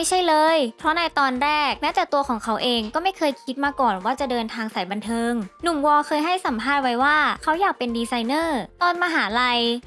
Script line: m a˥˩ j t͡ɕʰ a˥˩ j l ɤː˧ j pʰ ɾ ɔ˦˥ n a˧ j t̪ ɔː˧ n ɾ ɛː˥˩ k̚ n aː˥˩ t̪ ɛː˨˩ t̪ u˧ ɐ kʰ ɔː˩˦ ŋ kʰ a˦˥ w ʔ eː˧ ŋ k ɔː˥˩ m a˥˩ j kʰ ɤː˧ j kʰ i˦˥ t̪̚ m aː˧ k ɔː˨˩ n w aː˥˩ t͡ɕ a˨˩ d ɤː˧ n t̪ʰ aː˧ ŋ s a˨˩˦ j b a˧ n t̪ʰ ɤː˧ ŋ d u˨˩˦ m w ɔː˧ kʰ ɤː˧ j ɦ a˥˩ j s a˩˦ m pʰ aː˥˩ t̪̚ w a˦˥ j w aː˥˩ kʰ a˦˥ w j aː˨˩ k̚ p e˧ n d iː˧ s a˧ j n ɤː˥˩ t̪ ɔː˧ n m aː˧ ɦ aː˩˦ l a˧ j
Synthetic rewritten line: m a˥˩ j t͡ɕʰ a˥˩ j l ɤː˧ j pʰ ɾ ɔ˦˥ n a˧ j t̪ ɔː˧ n ɾ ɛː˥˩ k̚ n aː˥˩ t̪ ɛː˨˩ t̪ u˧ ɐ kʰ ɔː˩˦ ŋ kʰ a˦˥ w ʔ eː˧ ŋ k ɔː˥˩ m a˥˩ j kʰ ɤː˧ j kʰ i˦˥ t̪̚ m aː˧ k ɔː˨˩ n w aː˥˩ t͡ɕ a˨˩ d ɤː˧ n t̪ʰ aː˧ ŋ s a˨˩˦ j b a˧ n t̪ʰ ɤː˧ ŋ n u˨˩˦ m w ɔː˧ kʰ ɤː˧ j ɦ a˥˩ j s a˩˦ m pʰ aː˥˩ t̪̚ w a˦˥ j w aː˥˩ kʰ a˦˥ w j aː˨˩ k̚ p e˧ n d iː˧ s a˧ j n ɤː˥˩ t̪ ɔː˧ n m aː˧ ɦ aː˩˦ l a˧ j